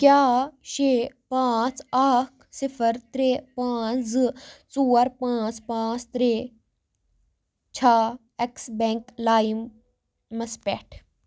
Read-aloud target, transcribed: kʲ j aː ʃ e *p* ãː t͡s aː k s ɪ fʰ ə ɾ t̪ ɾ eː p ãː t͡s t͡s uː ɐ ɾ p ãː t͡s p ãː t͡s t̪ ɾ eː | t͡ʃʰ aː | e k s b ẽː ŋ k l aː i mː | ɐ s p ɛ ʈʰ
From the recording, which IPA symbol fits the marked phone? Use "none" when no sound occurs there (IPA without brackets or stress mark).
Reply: p